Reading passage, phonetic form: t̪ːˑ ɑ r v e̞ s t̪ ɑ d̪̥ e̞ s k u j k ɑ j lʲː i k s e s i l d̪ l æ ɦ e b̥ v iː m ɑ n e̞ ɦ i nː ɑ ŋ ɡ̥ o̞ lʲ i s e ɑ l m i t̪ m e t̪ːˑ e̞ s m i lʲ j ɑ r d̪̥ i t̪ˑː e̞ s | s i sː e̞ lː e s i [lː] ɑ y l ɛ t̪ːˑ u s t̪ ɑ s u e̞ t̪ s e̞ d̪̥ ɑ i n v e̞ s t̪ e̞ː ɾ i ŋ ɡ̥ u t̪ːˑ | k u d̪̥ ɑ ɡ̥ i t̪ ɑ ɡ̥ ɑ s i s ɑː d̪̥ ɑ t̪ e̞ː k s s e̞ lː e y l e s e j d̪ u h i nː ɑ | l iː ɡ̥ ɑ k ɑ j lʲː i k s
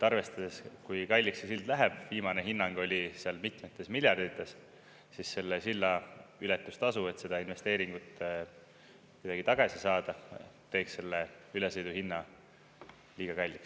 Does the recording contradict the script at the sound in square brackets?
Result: no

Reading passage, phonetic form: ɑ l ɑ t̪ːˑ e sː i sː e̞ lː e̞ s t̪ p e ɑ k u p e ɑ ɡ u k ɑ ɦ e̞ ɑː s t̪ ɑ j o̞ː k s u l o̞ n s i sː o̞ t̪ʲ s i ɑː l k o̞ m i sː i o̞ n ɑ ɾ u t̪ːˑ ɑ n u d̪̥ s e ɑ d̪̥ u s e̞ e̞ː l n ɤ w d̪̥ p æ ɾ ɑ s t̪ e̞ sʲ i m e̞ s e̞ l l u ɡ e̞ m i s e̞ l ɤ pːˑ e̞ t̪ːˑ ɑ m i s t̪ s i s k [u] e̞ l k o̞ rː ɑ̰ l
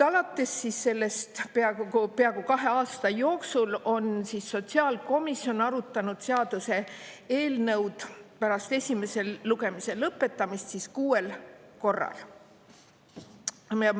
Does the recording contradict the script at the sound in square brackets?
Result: yes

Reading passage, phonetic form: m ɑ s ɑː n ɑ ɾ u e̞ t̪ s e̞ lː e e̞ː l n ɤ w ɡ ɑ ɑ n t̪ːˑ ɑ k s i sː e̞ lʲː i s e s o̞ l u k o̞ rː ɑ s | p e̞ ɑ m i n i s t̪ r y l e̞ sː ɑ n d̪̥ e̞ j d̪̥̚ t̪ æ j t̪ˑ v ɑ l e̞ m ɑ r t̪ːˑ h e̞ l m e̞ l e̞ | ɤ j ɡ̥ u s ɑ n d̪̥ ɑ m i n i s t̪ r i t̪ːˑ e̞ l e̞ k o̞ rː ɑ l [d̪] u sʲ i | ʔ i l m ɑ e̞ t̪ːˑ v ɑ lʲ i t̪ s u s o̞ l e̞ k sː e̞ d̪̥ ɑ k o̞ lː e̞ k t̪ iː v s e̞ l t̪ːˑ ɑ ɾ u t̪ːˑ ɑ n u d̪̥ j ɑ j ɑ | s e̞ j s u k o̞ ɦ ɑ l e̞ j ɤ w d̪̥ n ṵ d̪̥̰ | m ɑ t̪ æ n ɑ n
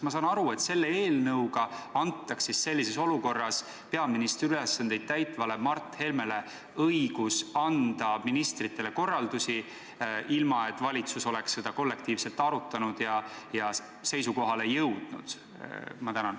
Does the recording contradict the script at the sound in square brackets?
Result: no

